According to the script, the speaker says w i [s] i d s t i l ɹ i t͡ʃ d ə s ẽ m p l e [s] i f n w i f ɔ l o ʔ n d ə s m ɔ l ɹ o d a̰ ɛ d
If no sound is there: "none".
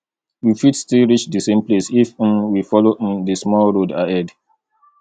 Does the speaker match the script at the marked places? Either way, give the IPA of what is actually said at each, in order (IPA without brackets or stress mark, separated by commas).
f, s